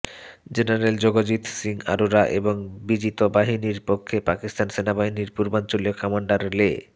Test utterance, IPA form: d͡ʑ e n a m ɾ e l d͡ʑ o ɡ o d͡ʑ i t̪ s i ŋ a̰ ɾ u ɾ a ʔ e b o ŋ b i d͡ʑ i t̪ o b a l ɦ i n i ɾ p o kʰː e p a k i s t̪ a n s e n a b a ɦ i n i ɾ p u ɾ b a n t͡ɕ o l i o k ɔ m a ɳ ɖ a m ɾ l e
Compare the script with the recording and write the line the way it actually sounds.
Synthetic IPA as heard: d͡ʑ e n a ɾ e l d͡ʑ o ɡ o d͡ʑ i t̪ s i ŋ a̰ ɾ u ɾ a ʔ e b o ŋ b i d͡ʑ i t̪ o b a ɦ i n i ɾ p o kʰː e p a k i s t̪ a n s e n a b a ɦ i n i ɾ p u ɾ b a n t͡ɕ o l i o k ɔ m a ɳ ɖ a ɾ l e